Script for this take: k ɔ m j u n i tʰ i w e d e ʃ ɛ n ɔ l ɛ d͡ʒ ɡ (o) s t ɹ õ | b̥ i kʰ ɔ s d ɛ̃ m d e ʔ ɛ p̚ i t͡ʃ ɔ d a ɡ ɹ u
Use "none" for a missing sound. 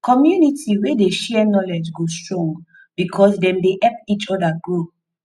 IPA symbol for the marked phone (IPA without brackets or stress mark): o